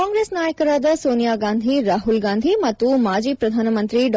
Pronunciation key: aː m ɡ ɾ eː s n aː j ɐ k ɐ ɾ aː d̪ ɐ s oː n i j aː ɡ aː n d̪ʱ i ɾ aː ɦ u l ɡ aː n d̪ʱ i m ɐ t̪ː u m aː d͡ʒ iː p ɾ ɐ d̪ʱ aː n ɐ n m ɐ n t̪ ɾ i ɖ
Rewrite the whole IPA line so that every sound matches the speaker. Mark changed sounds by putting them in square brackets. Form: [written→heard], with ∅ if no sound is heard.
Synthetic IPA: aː [m→ŋ] ɡ ɾ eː s n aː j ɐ k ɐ ɾ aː d̪ ɐ s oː n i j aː ɡ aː n d̪ʱ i ɾ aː ɦ u l ɡ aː n d̪ʱ i m ɐ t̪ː u m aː d͡ʒ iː p ɾ ɐ d̪ʱ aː n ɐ [n→∅] m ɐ n t̪ ɾ i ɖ